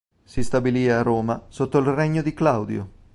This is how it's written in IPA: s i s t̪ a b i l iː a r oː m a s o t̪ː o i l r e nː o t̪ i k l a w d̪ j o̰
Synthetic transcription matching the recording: s i s t̪ a b i l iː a r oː m a s o t̪ː o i l r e ɲː o d̪ i k l a w d̪ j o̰